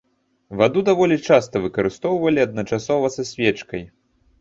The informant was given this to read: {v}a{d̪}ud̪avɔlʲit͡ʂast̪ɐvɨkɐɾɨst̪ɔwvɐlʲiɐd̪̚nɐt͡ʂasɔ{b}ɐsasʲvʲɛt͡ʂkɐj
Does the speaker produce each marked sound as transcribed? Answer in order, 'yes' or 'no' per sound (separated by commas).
yes, yes, no